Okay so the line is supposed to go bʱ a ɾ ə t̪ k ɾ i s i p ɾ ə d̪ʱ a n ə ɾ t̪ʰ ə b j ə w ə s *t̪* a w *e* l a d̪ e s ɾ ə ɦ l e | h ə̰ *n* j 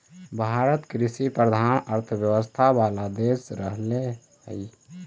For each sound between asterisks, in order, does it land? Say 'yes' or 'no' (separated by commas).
no, no, no